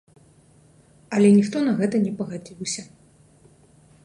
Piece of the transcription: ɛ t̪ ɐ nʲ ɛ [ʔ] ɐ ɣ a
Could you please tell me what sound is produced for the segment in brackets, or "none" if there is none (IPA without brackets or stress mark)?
p